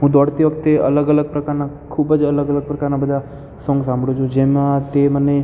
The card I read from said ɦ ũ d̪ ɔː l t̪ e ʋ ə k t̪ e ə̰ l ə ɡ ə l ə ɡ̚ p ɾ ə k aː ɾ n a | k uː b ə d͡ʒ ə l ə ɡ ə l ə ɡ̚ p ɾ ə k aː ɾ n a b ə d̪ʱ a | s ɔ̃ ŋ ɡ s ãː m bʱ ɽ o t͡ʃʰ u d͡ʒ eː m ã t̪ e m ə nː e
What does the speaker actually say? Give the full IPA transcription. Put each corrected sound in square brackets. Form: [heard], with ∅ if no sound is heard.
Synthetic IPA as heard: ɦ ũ d̪ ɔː [ɽ] t̪ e ʋ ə k t̪ e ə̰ l ə ɡ ə l ə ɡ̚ p ɾ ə k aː ɾ n a | [kʰ] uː b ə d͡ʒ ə l ə ɡ ə l ə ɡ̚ p ɾ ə k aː ɾ n a b ə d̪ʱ a | s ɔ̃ ŋ ɡ s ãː m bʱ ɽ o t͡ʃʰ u d͡ʒ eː m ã t̪ e m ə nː e

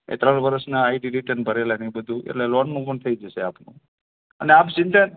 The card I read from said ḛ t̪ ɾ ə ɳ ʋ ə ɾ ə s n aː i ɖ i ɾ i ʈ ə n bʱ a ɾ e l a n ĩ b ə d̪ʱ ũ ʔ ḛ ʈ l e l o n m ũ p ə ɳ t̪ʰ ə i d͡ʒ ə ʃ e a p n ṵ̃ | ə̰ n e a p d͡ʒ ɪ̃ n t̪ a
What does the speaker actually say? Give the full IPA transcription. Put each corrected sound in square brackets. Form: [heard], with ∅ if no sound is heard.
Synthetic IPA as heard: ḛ t̪ ɾ ə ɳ ʋ ə ɾ ə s n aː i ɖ i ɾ i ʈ ə n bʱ [ə] ɾ e l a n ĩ b ə d̪ʱ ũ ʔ ḛ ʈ l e l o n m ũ p ə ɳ t̪ʰ ə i d͡ʒ ə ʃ e a p n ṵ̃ | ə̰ n e a p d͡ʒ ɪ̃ n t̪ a

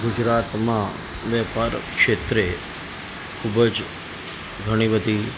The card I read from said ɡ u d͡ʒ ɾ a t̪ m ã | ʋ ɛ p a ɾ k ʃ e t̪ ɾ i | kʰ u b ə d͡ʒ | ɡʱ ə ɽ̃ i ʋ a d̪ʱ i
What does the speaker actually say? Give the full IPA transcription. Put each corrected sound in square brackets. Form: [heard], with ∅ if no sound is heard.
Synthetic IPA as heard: ɡ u d͡ʒ ɾ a t̪ m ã | ʋ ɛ p a ɾ k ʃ e t̪ ɾ [e] | kʰ u b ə d͡ʒ | ɡʱ ə ɽ̃ i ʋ [ə] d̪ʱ i

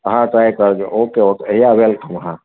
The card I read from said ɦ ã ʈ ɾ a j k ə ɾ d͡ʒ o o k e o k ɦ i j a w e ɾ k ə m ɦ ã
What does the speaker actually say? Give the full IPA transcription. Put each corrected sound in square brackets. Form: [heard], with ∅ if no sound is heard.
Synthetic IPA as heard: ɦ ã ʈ ɾ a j k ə ɾ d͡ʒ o o k e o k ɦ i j a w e [l] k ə m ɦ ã

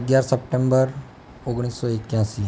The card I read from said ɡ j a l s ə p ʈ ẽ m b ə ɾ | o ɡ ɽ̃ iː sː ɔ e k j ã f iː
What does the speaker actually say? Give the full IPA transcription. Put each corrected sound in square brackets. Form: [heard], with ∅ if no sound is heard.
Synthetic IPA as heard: ɡ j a [ɾ] s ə p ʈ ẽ m b ə ɾ | o ɡ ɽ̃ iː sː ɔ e k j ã [s] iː

